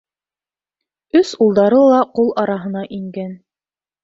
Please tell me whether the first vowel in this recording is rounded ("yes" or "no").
yes